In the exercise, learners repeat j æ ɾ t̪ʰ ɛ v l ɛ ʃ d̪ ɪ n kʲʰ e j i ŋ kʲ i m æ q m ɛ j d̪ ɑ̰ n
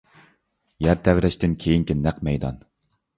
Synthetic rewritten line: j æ ɾ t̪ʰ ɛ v ɾ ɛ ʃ t̪ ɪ n kʲʰ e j i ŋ kʲ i n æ q m ɛ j d̪ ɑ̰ n

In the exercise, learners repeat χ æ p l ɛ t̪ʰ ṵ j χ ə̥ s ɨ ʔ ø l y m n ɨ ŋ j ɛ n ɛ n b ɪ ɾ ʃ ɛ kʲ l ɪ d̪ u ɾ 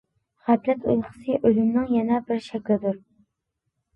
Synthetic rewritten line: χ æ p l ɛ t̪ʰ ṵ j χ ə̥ s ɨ ʔ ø l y m n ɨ ŋ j ɛ n ɛ b ɪ ɾ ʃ ɛ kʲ l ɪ d̪ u ɾ

